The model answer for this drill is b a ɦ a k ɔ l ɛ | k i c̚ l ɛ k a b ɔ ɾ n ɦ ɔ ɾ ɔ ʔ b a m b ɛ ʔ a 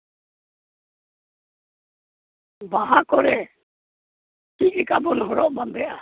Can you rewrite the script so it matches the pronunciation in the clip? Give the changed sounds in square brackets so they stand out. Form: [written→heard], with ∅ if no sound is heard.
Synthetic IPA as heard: b a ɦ a k ɔ [l→ɾ] ɛ | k i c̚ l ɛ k a b ɔ [ɾ→∅] n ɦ ɔ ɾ ɔ ʔ b a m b ɛ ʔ a